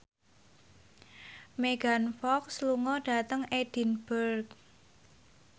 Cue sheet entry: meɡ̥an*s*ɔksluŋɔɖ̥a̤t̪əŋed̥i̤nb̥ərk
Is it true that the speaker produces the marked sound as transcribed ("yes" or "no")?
no